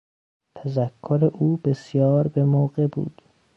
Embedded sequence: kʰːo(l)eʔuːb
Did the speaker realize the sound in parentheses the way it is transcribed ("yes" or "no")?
no